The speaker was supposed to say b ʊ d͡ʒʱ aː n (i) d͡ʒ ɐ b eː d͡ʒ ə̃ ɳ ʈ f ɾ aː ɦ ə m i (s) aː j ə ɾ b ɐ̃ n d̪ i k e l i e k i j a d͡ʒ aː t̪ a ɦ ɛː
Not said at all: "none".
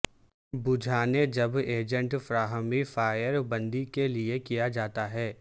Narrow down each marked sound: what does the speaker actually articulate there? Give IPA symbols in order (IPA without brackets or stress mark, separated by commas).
e, f